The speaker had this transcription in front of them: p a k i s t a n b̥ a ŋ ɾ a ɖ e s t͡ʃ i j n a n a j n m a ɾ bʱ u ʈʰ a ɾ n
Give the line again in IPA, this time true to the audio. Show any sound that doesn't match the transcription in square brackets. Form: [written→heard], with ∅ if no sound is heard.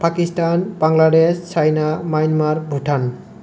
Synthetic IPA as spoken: p a k i s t a n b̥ a ŋ [ɾ→l] a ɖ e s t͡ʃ [i→a] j n a [n→m] a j n m a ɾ bʱ u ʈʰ a [ɾ→∅] n